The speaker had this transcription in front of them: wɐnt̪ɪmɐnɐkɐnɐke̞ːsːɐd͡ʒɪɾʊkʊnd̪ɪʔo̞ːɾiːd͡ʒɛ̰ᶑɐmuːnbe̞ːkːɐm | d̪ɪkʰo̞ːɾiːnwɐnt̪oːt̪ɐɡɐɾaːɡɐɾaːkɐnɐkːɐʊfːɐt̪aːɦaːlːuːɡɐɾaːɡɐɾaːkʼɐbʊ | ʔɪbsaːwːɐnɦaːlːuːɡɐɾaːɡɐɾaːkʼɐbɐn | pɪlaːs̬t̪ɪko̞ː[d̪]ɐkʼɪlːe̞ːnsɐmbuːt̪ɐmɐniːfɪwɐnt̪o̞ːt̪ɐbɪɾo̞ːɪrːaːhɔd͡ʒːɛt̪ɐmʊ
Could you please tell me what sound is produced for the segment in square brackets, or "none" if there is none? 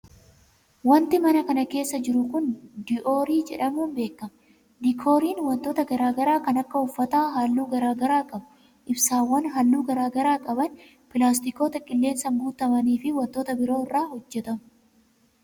t̪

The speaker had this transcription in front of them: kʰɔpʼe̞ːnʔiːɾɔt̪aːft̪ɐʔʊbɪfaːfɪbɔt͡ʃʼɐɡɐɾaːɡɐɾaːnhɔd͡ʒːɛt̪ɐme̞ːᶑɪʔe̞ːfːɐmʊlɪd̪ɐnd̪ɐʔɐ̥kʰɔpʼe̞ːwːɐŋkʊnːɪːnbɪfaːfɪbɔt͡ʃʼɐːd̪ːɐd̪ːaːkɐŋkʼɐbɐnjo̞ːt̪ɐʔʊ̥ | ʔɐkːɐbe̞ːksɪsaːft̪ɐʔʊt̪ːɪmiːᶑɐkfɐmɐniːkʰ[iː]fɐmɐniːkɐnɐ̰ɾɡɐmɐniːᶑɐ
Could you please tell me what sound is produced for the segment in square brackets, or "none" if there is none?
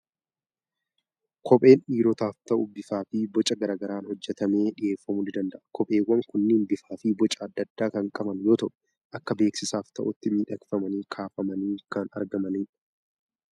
aː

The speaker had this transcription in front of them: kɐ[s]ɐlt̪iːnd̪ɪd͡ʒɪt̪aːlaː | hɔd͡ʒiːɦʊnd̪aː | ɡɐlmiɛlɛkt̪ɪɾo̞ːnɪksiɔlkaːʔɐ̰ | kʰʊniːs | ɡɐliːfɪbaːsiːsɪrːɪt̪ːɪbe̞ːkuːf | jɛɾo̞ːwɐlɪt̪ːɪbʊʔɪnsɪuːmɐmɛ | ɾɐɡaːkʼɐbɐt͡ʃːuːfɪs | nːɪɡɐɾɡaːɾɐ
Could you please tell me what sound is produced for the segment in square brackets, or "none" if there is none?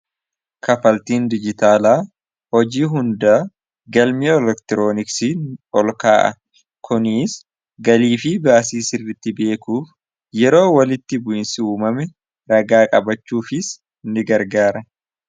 f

